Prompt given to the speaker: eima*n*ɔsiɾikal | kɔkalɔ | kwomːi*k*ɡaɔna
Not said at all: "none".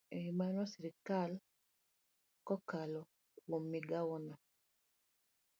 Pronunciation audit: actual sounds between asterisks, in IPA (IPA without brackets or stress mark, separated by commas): n, none